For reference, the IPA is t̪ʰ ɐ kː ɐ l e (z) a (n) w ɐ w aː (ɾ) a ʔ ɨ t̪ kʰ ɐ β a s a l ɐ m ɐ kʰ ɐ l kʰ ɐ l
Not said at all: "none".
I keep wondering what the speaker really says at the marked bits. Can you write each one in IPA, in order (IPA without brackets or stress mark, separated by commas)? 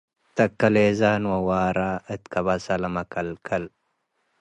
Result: z, n, ɾ